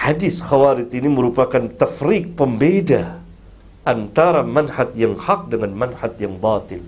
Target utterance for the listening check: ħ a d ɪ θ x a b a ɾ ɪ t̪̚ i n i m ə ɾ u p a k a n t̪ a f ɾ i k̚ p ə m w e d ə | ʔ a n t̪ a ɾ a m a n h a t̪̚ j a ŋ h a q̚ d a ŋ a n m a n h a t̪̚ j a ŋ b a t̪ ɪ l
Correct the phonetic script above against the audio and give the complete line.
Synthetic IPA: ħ a d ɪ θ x a w a ɾ ɪ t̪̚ i n i m ə ɾ u p a k a n t̪ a f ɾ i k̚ p ə m b e d a | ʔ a n t̪ a ɾ a m a n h a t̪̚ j a ŋ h a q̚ d ə ŋ a n m a n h a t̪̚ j a ŋ b a t̪ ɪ l